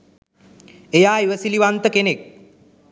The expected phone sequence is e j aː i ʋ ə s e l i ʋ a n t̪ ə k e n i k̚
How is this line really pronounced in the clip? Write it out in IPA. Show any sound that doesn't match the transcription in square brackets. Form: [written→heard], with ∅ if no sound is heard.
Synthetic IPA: e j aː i ʋ ə s [e→i] l i ʋ a n t̪ ə k e n [i→e] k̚